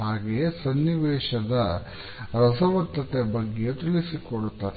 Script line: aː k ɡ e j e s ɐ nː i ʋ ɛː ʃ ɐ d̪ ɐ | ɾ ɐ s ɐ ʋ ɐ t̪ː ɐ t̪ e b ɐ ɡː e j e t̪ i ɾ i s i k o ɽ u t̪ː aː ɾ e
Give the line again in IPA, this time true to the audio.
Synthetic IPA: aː ɡ e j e s ɐ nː i ʋ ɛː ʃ ɐ d̪ ɐ | ɾ ɐ s ɐ ʋ ɐ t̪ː ɐ t̪ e b ɐ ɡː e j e t̪ i l i s i k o ɽ u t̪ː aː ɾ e